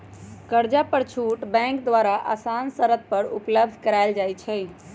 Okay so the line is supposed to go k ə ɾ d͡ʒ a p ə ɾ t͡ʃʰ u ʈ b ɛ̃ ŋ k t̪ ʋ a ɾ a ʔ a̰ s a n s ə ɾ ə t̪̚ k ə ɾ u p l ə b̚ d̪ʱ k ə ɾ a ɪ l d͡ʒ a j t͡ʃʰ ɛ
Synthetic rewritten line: k ə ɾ d͡ʒ a p ə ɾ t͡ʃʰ u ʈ b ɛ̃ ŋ k d̪ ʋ a ɾ a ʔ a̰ s a n s ə ɾ ə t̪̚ p ə ɾ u p l ə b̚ d̪ʱ k ə ɾ a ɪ l d͡ʒ a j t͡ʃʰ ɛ